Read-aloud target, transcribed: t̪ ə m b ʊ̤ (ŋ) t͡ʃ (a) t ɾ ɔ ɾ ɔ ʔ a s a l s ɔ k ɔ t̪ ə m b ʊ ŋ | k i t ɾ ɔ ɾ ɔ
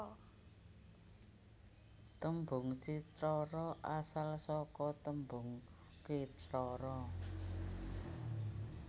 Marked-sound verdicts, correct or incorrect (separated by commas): correct, incorrect